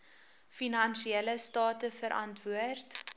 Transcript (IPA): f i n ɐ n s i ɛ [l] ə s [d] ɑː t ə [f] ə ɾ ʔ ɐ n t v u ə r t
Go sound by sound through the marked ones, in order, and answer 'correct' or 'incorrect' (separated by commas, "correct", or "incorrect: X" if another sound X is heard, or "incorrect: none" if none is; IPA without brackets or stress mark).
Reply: correct, incorrect: t, correct